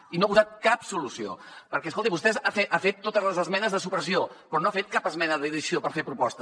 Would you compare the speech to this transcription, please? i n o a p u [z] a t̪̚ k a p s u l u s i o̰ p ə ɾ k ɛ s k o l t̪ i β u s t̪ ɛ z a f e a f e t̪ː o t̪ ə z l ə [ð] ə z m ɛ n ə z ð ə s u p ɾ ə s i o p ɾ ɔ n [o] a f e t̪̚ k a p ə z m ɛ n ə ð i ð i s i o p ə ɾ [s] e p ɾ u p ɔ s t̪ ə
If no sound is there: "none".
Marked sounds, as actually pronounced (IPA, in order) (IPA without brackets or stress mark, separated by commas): z, z, o, f